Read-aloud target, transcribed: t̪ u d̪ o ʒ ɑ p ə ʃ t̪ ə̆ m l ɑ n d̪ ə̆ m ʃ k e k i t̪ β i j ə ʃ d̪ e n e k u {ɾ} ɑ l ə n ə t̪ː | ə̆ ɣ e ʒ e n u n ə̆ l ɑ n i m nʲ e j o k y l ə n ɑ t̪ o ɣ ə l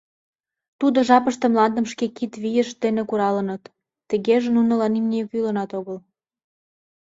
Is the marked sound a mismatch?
no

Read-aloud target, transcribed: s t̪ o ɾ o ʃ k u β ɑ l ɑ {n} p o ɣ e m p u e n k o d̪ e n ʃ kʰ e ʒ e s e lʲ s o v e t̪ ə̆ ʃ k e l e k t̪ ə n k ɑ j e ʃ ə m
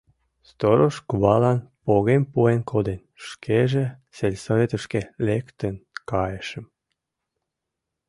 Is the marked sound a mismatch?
no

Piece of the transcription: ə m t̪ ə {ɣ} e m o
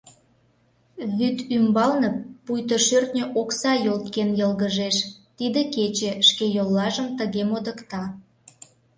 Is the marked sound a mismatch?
no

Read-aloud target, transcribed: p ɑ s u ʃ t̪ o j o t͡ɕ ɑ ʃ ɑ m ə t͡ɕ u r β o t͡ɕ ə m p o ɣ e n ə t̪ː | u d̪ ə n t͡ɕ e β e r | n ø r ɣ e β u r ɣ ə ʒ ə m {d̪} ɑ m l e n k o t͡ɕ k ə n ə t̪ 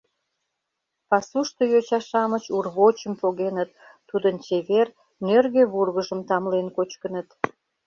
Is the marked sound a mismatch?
yes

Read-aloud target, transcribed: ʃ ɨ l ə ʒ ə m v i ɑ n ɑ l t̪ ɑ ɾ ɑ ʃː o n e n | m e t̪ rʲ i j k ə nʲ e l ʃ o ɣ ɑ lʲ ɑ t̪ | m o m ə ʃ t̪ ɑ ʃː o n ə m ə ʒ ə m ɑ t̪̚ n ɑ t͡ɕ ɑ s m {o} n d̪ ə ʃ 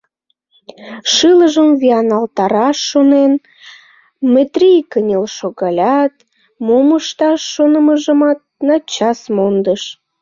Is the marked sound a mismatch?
no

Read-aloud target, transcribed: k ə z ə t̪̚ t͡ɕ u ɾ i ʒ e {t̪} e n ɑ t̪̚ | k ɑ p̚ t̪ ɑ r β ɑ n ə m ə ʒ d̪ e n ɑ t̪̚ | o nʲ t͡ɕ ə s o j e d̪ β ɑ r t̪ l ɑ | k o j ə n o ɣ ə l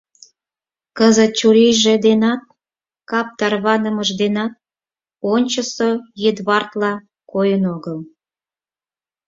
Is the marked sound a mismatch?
yes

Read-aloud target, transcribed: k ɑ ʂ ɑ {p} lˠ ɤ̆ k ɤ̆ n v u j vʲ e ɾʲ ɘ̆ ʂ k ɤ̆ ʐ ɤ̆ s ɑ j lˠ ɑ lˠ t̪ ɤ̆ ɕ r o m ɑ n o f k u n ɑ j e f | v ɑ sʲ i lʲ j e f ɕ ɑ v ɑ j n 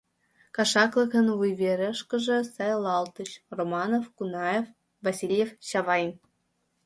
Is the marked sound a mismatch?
yes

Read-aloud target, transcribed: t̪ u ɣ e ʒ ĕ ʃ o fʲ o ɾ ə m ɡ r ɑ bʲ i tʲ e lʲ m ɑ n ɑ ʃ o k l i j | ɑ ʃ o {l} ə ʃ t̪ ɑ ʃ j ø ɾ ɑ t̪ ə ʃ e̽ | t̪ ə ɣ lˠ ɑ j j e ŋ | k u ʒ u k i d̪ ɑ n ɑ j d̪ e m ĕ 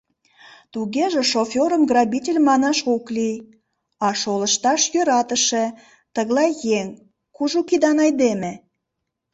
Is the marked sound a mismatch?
no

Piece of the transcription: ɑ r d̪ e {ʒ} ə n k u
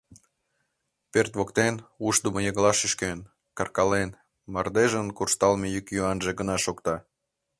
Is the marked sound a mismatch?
no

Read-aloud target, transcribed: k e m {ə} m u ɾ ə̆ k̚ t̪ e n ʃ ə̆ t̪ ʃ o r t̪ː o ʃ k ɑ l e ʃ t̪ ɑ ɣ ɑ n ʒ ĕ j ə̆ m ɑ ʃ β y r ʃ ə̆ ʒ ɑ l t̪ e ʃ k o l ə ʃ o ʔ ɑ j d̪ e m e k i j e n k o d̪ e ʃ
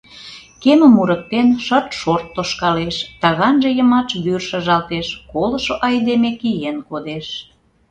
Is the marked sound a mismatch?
no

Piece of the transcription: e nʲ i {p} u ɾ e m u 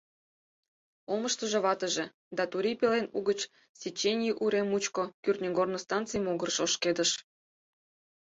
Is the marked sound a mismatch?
yes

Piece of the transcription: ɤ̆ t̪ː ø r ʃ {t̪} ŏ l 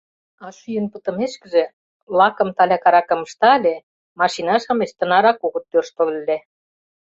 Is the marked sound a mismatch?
no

